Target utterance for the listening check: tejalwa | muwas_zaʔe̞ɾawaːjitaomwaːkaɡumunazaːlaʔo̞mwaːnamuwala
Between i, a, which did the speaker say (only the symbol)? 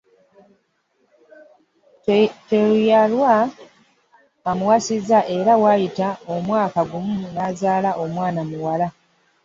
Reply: i